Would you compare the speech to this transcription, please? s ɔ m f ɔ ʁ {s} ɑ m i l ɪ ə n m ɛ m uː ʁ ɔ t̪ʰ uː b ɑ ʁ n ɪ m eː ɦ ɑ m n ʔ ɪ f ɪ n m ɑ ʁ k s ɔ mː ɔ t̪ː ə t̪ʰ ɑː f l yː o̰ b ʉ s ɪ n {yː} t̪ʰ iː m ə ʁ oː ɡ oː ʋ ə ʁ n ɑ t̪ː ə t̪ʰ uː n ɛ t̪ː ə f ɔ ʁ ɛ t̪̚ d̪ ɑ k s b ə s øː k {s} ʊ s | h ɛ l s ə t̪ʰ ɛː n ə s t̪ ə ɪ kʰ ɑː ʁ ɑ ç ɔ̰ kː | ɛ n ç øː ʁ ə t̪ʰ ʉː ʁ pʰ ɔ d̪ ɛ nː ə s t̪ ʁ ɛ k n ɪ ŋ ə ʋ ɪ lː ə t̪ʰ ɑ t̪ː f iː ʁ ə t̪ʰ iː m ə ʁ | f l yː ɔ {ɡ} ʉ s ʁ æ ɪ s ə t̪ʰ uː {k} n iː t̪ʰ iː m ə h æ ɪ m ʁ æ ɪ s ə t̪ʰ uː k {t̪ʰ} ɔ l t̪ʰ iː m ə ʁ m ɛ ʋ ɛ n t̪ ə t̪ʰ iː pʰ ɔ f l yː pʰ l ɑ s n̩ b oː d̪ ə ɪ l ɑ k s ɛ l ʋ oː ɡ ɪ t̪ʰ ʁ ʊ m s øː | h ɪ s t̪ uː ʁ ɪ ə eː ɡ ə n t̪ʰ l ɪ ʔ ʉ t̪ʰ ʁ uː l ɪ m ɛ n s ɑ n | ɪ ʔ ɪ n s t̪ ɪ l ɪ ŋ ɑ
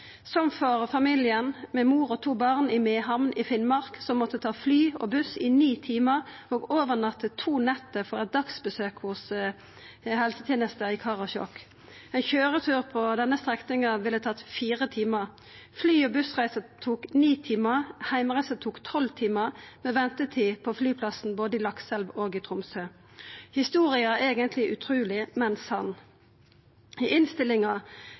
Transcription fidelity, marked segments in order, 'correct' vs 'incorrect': incorrect: f, incorrect: iː, incorrect: h, incorrect: b, correct, correct

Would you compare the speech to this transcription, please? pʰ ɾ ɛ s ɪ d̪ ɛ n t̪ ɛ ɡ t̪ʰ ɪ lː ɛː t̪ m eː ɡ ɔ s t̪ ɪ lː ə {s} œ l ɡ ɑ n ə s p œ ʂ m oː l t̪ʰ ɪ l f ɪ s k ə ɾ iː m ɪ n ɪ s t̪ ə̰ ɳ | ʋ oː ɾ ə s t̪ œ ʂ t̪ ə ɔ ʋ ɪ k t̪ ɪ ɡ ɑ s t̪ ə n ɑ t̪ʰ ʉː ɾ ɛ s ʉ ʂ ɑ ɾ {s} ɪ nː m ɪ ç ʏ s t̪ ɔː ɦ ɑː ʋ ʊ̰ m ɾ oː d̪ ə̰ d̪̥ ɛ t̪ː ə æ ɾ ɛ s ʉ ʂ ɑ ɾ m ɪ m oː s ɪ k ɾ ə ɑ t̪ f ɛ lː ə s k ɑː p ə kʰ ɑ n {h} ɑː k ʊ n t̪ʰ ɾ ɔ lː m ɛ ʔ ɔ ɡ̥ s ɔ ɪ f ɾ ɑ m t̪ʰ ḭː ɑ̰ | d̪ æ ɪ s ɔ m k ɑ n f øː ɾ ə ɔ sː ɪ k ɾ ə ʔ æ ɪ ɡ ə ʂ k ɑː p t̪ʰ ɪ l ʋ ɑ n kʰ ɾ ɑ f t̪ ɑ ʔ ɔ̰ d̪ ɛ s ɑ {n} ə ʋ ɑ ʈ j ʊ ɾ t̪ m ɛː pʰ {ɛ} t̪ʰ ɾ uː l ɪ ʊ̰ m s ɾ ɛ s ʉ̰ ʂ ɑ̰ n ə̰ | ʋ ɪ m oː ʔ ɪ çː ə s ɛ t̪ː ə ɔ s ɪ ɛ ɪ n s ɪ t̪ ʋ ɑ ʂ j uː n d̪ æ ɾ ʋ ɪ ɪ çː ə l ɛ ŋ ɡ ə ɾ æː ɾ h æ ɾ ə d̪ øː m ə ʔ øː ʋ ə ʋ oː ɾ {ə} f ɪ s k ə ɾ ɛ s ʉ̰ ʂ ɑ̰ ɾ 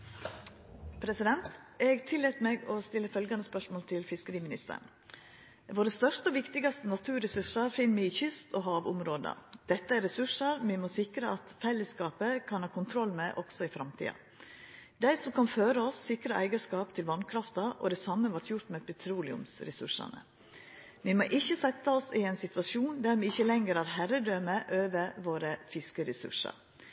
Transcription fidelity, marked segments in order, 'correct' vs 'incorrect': incorrect: f, incorrect: f, correct, incorrect: m, correct, correct

